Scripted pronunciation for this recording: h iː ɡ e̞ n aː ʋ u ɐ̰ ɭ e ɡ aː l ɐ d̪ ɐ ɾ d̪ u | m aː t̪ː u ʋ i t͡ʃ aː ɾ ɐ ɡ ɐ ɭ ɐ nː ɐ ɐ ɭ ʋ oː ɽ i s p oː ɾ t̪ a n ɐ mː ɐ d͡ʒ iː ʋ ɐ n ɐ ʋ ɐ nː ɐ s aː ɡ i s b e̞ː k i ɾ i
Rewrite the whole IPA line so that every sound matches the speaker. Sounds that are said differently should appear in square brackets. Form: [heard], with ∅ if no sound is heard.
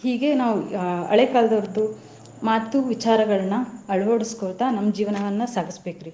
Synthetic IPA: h iː ɡ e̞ n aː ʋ u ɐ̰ ɭ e [k] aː l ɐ d̪ ɐ ɾ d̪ u | m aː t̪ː u ʋ i t͡ʃ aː ɾ ɐ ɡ ɐ ɭ ɐ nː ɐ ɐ ɭ ʋ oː ɽ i s [k] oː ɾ t̪ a n ɐ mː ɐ d͡ʒ iː ʋ ɐ n ɐ ʋ ɐ nː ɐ s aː ɡ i s b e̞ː k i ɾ i